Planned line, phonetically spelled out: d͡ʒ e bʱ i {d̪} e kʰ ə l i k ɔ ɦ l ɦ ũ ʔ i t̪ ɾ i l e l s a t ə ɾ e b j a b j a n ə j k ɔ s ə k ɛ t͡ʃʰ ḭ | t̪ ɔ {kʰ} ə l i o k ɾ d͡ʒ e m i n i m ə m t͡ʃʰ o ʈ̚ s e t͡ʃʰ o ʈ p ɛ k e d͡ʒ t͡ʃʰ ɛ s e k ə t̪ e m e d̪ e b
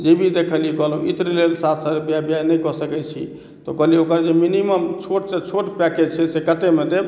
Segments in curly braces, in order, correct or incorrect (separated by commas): correct, incorrect